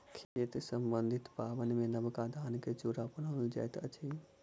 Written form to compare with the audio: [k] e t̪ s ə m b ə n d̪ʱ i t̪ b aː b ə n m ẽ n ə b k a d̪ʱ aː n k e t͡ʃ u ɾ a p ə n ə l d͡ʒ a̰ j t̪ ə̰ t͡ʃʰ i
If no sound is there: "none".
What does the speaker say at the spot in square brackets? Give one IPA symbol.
kʰ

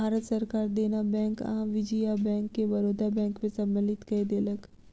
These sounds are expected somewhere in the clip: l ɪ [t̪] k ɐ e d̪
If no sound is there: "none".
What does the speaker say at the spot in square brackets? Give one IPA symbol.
t̪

